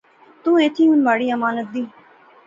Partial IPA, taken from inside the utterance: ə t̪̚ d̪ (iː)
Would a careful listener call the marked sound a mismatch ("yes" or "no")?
no